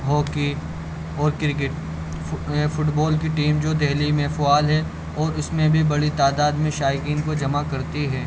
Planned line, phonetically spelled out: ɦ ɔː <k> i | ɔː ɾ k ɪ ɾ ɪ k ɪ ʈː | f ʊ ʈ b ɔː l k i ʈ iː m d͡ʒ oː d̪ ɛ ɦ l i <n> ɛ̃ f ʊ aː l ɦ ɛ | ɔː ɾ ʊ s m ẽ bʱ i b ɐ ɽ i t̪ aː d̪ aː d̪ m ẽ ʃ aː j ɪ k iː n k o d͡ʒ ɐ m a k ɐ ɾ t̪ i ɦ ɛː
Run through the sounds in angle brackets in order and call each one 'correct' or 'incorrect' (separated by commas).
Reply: correct, incorrect